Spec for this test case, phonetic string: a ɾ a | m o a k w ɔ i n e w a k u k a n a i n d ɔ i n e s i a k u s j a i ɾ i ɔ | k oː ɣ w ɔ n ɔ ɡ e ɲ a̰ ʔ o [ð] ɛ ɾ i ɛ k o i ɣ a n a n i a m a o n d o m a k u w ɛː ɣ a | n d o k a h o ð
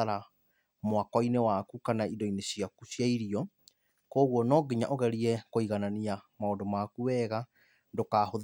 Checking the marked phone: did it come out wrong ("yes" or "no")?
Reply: yes